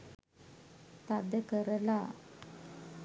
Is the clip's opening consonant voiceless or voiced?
voiceless